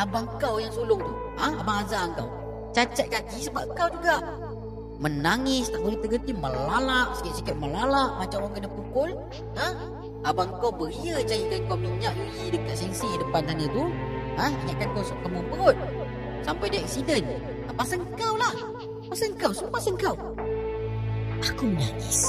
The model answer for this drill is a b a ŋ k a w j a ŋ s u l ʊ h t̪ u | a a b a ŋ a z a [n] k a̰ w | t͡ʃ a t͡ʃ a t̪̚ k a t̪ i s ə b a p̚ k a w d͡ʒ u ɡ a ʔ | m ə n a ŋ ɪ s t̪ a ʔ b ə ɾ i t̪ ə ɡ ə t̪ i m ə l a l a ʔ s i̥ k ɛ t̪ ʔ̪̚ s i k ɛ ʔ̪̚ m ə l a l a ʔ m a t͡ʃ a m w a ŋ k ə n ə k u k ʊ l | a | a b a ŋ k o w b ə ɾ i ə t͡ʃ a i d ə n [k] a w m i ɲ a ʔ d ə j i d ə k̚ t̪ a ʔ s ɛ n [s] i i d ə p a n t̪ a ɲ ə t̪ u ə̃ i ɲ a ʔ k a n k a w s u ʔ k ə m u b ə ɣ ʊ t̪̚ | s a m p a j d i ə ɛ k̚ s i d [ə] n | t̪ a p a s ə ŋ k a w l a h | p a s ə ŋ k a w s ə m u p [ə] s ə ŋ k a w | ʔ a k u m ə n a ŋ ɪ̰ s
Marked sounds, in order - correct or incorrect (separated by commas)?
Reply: incorrect, correct, correct, correct, incorrect